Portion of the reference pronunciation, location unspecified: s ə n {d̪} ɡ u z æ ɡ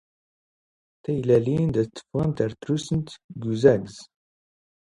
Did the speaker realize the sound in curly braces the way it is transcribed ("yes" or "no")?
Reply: no